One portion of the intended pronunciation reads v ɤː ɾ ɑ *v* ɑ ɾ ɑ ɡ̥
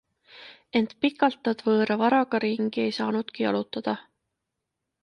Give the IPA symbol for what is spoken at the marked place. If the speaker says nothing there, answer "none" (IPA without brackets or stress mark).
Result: v